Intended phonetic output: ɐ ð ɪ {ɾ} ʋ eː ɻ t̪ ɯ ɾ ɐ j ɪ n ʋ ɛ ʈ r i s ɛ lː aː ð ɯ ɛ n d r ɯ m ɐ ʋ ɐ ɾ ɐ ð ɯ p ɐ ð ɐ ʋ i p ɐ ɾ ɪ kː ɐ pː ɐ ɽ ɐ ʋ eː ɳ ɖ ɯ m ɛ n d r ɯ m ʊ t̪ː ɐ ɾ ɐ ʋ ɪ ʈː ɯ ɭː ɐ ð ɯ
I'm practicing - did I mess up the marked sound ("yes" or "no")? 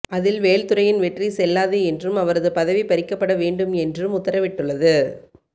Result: yes